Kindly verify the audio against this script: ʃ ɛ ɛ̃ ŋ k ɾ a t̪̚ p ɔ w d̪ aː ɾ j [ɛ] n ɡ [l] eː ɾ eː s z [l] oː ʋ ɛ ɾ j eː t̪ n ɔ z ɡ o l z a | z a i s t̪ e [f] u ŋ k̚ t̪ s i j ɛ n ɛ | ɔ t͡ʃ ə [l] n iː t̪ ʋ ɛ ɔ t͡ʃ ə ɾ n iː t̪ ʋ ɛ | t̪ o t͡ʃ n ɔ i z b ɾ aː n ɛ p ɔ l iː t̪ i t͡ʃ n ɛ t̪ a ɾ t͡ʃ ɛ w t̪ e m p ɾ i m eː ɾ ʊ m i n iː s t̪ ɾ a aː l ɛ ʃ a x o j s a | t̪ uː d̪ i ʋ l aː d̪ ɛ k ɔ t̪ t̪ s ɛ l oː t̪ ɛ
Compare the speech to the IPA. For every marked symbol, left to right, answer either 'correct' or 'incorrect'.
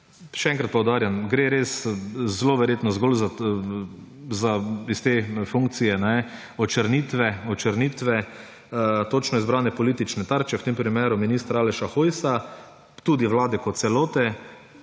incorrect, incorrect, correct, correct, incorrect

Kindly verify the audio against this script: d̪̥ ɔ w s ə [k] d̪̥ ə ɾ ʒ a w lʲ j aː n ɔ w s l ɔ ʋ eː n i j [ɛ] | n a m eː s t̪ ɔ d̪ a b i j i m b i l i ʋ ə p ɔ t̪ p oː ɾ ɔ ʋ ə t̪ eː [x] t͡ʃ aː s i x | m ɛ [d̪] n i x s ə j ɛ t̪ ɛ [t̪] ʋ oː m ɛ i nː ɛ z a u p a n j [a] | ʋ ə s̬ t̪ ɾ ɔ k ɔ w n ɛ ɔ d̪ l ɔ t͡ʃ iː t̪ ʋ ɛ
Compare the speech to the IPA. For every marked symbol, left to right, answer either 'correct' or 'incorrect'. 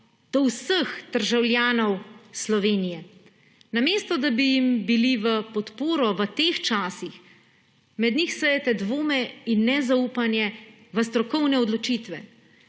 incorrect, correct, correct, correct, incorrect, incorrect

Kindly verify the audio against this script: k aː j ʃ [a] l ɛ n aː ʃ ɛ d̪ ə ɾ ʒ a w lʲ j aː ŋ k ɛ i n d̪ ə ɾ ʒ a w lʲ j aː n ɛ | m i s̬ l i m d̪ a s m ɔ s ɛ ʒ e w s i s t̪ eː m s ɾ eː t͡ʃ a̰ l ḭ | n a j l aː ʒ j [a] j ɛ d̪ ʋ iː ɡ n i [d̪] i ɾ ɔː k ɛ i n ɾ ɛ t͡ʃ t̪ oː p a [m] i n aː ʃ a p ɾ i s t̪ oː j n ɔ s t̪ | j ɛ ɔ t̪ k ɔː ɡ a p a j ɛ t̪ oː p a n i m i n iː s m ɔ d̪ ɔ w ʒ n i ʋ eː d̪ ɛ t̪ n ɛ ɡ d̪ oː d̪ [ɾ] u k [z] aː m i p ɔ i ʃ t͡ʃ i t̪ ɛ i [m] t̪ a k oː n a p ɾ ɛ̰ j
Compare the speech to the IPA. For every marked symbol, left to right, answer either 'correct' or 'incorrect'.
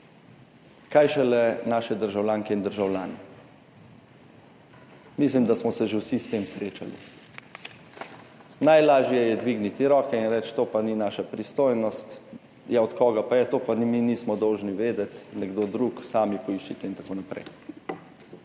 incorrect, incorrect, incorrect, incorrect, correct, incorrect, incorrect

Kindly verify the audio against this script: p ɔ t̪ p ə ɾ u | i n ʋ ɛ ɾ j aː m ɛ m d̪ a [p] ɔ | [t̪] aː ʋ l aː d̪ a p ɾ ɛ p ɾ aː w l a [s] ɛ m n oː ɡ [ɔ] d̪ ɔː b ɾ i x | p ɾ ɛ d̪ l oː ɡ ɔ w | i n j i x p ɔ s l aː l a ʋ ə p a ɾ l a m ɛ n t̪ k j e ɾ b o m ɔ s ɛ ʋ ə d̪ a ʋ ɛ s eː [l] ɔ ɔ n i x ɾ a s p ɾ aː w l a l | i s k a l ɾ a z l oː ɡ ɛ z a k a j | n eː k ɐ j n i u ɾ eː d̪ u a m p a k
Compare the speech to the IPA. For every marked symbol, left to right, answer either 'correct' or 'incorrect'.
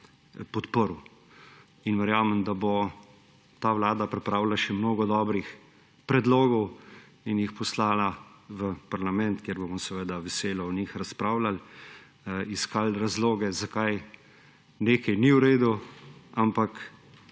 incorrect, correct, incorrect, correct, correct

